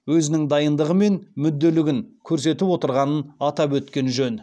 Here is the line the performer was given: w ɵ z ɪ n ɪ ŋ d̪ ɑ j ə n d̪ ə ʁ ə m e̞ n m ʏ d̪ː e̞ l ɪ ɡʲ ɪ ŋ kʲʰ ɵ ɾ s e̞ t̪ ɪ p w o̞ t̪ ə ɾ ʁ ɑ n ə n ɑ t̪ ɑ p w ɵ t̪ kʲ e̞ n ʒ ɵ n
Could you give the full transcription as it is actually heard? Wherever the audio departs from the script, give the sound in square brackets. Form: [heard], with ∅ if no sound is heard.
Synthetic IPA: w ɵ z ɪ n ɪ ŋ d̪ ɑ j ə n d̪ ə ʁ ə m e̞ n m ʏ d̪ː e̞ l ɪ ɡʲ ɪ ŋ kʲʰ ɵ ɾ s e̞ t̪ ɪ p w o̞ t̪ ə ɾ ʁ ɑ n ə n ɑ t̪ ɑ p w ɵ t̪ kʲ e̞ n ʒ ɵ n